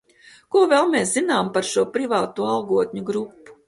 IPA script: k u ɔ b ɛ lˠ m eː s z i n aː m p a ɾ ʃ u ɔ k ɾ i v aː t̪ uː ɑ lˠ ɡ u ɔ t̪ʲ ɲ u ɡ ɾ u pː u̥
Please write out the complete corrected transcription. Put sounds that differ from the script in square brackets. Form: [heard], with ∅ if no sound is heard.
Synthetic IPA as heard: k u ɔ [v] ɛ lˠ m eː s z i n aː m p a ɾ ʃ u ɔ [p] ɾ i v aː t̪ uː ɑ lˠ ɡ u ɔ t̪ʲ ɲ u ɡ ɾ u pː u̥